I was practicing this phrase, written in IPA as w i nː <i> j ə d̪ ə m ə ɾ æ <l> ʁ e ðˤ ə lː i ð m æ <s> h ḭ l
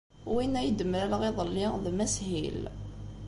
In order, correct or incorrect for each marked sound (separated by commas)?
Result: incorrect, correct, correct